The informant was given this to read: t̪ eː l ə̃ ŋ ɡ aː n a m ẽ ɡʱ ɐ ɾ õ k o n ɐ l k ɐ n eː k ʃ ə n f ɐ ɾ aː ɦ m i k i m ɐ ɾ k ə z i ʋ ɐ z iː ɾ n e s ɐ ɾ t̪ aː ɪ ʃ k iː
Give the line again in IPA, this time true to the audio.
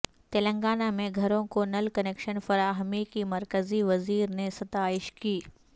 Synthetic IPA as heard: t̪ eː l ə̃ ŋ ɡ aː n a m ẽ ɡʱ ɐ ɾ õ k o n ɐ l k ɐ n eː k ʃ ə n f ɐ ɾ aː ɦ m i k i m ɐ ɾ k ə z i ʋ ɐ z iː ɾ n e s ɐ t̪ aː ɪ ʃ k iː